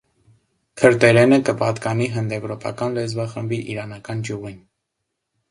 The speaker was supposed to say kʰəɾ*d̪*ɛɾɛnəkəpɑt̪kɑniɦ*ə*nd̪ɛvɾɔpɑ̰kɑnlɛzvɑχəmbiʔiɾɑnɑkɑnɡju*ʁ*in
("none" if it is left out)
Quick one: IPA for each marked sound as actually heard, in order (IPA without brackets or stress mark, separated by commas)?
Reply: t̪, ə, ʁ